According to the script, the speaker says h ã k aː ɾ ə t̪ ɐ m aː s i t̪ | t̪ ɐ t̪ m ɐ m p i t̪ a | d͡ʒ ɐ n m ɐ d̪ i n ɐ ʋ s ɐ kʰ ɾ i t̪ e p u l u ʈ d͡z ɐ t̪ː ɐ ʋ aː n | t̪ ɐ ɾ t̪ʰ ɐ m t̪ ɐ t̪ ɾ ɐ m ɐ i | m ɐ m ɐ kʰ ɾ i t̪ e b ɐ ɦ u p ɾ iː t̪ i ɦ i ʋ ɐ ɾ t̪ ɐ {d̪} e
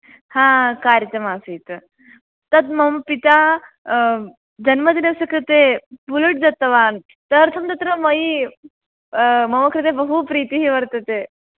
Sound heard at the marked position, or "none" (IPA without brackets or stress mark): t̪